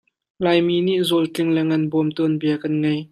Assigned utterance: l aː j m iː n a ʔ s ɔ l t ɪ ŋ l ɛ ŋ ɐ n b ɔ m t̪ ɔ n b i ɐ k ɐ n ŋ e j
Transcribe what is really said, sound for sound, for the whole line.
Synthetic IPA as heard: l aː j m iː n i ʔ z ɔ l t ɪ ŋ l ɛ ŋ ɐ n b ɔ m t̪ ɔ n b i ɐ k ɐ n ŋ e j